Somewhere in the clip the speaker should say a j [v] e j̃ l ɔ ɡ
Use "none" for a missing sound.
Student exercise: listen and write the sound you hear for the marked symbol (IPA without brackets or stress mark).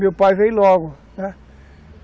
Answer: v